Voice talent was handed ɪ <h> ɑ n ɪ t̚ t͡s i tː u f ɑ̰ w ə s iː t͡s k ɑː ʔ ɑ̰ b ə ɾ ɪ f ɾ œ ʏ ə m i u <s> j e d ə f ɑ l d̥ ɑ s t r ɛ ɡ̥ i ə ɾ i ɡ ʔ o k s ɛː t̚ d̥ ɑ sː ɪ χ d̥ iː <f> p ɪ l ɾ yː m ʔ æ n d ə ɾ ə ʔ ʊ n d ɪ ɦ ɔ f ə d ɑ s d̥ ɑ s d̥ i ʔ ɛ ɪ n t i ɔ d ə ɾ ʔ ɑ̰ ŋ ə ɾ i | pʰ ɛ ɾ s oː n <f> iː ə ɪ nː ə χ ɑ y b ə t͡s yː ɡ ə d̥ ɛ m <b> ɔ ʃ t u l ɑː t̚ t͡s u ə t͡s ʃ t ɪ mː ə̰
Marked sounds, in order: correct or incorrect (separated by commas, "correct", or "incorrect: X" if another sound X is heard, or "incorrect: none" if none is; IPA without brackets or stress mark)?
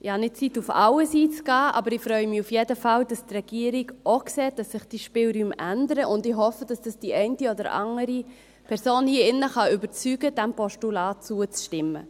correct, incorrect: f, incorrect: ʃ, incorrect: h, incorrect: p